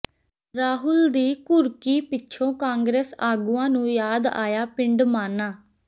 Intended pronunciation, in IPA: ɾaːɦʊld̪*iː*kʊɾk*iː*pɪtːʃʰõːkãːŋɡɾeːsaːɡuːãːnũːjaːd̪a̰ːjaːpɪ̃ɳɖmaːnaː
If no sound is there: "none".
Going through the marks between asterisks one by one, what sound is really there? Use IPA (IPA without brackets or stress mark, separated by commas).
iː, iː